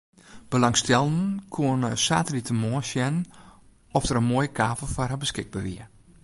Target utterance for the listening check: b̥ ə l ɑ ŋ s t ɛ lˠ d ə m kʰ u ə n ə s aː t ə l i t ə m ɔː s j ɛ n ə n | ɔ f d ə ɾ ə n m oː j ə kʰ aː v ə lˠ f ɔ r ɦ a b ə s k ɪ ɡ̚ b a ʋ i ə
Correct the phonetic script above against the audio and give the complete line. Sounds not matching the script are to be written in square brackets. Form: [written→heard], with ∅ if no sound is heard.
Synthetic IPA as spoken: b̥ ə l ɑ ŋ s t ɛ lˠ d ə [m→n] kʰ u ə n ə s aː t ə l i t ə m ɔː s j ɛ n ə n | ɔ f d ə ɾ ə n m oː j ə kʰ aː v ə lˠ f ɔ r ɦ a b ə s k ɪ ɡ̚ b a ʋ i ə